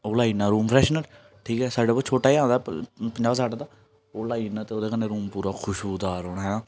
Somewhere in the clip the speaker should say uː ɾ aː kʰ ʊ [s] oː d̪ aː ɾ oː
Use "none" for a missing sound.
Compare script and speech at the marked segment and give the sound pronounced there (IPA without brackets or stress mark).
ʃ